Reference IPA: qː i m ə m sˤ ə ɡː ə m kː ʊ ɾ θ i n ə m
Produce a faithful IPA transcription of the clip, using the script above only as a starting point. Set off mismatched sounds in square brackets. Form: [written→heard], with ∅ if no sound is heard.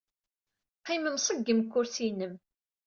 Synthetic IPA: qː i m ə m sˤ ə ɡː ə m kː ʊ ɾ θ i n ə m

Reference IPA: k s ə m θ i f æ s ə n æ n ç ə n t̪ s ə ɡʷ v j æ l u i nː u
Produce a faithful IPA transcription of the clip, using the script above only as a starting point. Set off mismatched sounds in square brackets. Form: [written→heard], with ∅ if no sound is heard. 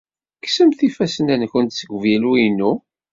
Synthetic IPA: k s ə m θ i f æ s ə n æ n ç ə n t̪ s ə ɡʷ v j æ l u i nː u

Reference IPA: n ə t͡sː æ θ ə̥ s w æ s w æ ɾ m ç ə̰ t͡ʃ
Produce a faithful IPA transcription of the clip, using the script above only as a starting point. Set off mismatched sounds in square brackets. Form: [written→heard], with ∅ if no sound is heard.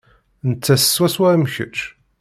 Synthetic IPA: n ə t͡sː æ [θ→s] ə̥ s w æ s w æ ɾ m ç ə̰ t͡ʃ

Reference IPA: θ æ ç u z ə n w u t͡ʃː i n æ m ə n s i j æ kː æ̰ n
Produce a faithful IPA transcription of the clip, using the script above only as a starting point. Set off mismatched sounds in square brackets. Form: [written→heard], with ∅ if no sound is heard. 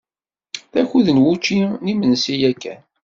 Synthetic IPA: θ æ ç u [z→ð] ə n w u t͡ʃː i n [æ→i] m ə n s i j æ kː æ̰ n

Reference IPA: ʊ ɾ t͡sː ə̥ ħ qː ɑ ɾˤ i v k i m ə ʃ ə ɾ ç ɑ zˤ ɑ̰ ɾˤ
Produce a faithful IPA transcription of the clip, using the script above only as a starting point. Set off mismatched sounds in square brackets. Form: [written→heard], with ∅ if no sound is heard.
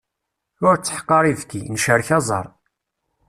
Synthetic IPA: ʊ ɾ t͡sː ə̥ ħ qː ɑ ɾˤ i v k i [m→n] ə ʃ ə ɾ ç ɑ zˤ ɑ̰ ɾˤ

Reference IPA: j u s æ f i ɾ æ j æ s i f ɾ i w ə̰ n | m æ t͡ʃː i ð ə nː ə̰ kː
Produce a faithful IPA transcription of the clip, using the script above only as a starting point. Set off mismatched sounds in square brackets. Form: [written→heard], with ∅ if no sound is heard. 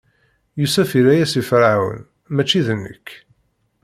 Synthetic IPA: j u s æ f i ɾ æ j æ s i f ɾ [i→a] w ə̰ n | m æ t͡ʃː i ð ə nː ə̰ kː

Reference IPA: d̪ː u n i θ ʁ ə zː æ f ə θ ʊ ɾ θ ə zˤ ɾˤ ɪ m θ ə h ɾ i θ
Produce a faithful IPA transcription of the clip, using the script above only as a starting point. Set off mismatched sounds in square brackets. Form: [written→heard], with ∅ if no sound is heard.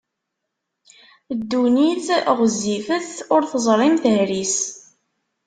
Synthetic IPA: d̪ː u n i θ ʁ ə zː [æ→i] f ə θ ʊ ɾ θ ə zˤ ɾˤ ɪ m θ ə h ɾ i [θ→s]

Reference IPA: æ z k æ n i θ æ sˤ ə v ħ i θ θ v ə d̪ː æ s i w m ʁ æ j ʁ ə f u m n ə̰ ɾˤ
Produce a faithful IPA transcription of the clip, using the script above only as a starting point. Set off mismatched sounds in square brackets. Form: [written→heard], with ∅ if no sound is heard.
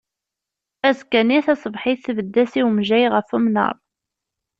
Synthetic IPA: æ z k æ n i θ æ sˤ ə v ħ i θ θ v ə d̪ː æ s i w m [ʁ→ʒ] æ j ʁ ə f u m n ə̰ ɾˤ

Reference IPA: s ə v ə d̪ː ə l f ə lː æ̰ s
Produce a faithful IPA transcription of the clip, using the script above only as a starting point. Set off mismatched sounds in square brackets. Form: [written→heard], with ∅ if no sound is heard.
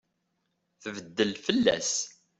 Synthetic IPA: [s→θ] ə v ə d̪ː ə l f ə lː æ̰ s

